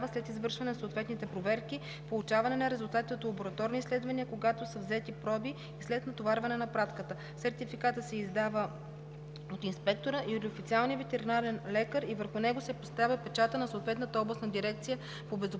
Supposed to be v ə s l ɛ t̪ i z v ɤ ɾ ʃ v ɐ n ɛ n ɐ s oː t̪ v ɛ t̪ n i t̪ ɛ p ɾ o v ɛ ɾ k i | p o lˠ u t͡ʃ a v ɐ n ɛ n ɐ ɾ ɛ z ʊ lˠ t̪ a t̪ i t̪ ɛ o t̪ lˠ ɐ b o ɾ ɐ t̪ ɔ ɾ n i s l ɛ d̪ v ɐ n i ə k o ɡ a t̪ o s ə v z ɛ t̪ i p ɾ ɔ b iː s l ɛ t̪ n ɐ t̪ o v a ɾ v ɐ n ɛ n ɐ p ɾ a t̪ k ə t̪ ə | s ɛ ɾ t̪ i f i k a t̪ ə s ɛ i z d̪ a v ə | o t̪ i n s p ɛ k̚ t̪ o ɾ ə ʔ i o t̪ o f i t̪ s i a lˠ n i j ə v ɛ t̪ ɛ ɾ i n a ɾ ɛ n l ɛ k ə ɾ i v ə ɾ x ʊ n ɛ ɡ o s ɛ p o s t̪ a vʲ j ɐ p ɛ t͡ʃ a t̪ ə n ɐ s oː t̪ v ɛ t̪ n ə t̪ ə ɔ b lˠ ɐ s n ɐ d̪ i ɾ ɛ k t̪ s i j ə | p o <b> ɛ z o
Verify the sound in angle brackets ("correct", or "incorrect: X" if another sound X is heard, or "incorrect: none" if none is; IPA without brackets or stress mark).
correct